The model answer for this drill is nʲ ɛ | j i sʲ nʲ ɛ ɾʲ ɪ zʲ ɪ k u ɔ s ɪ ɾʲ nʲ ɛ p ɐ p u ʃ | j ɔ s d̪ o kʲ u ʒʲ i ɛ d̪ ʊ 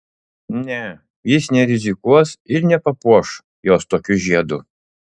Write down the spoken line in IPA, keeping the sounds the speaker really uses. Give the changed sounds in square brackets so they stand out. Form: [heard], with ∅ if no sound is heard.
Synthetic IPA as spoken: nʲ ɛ | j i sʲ nʲ ɛ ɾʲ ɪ zʲ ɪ k u ɔ s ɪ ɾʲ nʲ ɛ p ɐ p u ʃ | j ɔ s [t̪] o kʲ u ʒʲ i ɛ d̪ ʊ